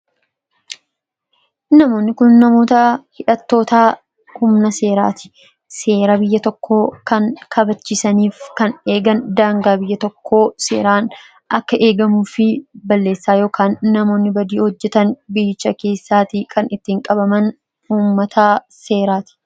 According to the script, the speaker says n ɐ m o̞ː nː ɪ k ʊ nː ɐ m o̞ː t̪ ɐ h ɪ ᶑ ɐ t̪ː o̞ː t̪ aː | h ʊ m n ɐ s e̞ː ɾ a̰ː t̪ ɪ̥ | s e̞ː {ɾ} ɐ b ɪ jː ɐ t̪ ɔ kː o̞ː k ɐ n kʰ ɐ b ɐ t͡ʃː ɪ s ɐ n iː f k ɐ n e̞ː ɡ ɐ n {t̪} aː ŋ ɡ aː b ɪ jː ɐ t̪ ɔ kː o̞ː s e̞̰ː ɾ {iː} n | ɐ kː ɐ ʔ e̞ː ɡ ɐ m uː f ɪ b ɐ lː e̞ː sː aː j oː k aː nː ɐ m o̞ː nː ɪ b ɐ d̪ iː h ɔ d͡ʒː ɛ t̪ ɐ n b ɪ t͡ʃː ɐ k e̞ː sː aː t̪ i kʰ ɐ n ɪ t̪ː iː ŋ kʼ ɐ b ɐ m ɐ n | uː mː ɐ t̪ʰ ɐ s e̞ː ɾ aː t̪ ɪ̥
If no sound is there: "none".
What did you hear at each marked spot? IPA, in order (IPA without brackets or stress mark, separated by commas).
ɾ, d̪, aː